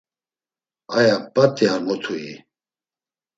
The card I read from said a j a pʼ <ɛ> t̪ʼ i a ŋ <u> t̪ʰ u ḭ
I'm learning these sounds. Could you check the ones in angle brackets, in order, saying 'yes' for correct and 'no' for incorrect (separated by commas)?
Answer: no, no